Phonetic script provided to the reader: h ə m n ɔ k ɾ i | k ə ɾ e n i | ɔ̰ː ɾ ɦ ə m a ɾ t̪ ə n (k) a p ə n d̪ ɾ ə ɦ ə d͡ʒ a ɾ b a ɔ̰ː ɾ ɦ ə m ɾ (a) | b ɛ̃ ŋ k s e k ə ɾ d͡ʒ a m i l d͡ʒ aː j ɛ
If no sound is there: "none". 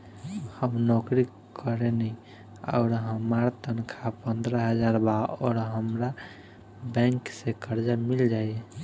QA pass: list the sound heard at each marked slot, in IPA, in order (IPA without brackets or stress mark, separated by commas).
kʰ, a